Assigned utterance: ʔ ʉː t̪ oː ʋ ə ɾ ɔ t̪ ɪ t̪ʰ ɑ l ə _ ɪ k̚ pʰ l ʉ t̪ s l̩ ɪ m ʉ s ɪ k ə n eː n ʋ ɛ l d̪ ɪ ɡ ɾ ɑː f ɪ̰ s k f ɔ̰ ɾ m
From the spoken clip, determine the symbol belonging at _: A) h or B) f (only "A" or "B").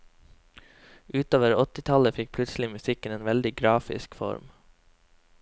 B